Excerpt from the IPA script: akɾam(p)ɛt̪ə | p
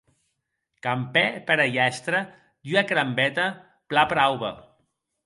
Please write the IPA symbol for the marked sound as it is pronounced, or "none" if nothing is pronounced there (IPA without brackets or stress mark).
b